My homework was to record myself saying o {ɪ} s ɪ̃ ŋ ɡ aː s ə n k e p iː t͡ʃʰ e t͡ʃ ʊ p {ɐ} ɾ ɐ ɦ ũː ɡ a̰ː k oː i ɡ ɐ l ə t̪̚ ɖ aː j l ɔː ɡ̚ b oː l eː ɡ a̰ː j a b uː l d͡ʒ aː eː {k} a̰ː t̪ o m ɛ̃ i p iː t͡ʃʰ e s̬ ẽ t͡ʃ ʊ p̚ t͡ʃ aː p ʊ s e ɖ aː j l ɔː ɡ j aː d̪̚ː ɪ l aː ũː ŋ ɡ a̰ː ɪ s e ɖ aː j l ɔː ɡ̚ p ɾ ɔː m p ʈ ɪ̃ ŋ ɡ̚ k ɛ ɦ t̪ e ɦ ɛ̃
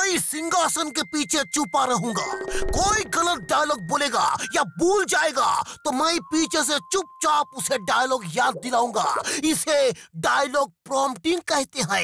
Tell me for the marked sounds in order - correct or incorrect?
incorrect: i, incorrect: a, incorrect: ɡ

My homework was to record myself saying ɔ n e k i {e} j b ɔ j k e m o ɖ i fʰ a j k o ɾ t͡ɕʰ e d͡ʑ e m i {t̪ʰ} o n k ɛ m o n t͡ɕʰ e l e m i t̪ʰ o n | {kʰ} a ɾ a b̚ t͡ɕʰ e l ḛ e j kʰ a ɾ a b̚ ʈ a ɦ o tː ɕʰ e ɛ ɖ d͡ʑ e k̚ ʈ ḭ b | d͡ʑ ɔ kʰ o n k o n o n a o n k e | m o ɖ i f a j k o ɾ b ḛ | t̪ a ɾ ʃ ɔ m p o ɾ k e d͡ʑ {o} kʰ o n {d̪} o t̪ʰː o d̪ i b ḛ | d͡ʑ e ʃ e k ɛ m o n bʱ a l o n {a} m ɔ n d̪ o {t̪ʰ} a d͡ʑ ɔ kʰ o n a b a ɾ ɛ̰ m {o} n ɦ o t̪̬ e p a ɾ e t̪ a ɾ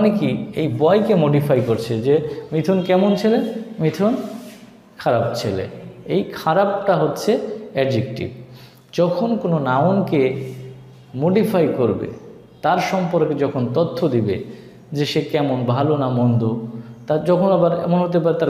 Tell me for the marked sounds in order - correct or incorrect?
correct, correct, correct, incorrect: ɔ, incorrect: t̪, correct, incorrect: t̪, correct

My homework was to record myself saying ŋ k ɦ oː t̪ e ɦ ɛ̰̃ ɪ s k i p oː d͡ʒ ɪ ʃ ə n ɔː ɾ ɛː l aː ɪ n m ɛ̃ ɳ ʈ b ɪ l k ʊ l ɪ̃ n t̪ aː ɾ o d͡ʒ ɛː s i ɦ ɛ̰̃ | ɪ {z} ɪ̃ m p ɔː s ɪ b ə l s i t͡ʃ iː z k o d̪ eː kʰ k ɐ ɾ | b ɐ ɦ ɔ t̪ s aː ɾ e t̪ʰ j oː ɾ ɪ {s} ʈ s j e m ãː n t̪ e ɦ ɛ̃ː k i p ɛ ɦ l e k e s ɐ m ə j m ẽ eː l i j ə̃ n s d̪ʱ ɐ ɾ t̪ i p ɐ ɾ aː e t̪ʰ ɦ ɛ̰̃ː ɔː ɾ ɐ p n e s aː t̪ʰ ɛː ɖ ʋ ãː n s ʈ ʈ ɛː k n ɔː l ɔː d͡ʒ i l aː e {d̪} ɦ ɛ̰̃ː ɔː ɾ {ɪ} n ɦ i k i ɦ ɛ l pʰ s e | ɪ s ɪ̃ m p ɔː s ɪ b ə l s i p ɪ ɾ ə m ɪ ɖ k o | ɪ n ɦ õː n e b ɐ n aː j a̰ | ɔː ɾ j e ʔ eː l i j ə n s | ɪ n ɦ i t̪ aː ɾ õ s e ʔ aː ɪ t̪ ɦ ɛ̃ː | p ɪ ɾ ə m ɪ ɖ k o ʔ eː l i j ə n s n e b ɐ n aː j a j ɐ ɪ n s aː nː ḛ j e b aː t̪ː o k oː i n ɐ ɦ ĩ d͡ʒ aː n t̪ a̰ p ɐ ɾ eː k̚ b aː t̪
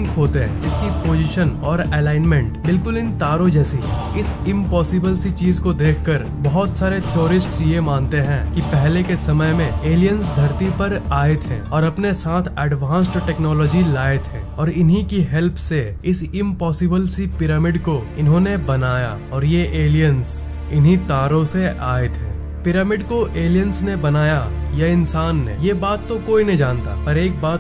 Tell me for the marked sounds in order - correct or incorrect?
incorrect: s, correct, incorrect: t̪, correct

